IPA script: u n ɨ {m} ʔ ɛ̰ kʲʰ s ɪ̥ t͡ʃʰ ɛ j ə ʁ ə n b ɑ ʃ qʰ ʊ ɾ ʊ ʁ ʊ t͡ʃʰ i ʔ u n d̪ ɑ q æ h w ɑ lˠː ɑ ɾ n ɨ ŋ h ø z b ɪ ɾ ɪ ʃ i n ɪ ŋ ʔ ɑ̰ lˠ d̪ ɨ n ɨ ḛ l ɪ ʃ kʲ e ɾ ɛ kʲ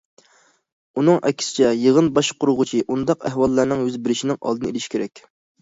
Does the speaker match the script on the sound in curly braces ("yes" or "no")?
no